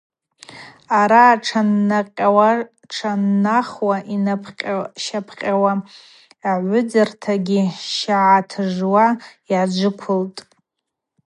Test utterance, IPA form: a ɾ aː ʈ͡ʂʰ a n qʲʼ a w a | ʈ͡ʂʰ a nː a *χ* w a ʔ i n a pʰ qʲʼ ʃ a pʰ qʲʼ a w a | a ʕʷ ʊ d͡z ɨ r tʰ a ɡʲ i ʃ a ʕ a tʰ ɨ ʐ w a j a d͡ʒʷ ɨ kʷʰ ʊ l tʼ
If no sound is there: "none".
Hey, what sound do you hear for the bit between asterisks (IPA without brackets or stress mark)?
χ